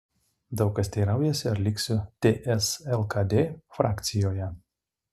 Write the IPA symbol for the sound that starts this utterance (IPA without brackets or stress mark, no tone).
d̪